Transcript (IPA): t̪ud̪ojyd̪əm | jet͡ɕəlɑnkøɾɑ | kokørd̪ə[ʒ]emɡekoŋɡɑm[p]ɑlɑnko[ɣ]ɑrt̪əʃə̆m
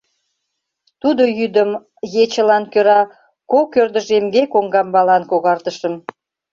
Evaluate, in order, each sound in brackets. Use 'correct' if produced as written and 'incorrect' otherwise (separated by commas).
correct, incorrect, correct